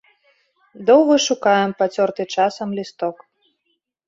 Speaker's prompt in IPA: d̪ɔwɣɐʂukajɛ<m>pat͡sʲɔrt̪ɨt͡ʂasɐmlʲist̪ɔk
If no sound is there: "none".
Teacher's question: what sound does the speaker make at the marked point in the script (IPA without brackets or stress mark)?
m